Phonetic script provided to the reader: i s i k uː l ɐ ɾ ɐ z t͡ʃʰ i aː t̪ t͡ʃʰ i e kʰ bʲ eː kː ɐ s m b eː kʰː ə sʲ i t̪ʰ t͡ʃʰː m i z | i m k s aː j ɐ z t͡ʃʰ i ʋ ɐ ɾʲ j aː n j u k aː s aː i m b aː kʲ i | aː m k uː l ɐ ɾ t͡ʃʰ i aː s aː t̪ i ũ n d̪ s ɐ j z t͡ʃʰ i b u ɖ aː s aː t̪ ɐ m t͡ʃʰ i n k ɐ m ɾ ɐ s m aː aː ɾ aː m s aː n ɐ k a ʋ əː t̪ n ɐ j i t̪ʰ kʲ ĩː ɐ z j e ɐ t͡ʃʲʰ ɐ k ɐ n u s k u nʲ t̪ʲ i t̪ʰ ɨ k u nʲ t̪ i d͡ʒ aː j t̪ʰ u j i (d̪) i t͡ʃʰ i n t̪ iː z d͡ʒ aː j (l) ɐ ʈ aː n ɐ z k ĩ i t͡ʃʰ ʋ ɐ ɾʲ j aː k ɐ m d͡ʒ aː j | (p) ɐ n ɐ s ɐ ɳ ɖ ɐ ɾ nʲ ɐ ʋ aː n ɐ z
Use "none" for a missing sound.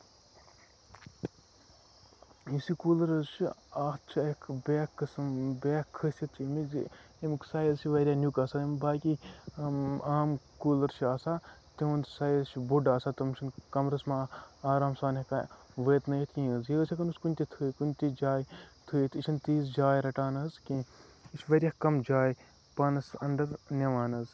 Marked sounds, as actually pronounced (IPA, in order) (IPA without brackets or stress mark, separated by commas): t̪, ɾ, p